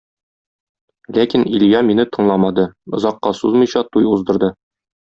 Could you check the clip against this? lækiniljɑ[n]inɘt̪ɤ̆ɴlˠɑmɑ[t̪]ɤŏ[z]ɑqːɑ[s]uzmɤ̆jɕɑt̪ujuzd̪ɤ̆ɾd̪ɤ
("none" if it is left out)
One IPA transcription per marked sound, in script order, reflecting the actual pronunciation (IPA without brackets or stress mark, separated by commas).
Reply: m, d̪, z, s